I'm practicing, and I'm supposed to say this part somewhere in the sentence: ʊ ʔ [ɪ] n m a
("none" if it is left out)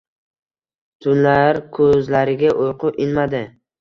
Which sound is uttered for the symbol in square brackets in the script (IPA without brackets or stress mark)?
ɪ